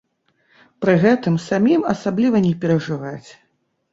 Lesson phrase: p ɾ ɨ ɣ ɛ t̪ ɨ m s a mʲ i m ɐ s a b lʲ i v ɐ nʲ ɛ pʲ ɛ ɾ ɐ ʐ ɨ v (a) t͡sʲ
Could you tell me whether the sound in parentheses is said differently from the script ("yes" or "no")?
no